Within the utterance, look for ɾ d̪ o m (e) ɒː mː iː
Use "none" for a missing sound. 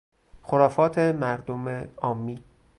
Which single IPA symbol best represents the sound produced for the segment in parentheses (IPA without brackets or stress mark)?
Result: e